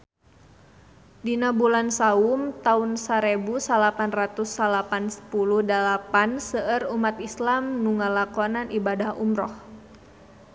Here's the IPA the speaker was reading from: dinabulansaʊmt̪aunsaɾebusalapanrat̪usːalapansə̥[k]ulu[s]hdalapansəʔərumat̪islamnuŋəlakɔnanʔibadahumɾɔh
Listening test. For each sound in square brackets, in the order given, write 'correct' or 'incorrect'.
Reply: incorrect: p, incorrect: none

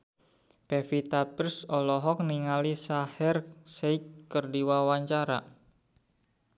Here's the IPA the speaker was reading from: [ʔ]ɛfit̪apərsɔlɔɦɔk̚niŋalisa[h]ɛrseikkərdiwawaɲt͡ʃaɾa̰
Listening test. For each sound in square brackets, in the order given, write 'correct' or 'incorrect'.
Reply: incorrect: p, correct

